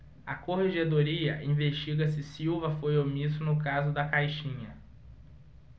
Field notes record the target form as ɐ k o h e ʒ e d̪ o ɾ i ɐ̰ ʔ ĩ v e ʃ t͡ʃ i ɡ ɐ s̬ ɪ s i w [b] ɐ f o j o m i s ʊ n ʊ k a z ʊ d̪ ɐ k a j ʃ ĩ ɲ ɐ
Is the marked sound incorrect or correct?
incorrect